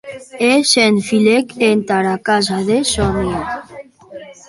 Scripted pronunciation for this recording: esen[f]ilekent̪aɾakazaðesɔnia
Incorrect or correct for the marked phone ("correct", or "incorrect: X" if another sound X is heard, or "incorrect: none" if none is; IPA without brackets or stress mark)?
correct